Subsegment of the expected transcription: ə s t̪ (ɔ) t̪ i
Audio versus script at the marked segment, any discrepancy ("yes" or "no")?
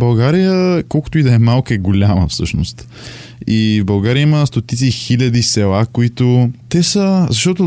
yes